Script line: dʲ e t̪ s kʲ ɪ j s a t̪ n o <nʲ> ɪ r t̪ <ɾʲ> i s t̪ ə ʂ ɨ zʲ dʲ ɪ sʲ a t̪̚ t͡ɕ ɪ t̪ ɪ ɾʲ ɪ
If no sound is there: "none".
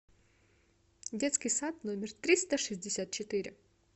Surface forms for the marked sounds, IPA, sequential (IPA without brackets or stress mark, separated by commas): mʲ, ɾʲ